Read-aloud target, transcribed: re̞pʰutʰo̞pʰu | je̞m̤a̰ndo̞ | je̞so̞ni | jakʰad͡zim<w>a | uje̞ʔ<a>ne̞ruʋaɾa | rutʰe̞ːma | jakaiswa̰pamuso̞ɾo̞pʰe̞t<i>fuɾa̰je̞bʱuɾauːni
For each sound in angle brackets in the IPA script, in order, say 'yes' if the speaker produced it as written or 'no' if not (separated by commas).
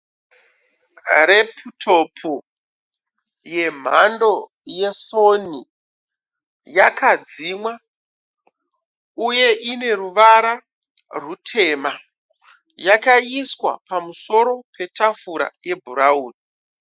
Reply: yes, no, no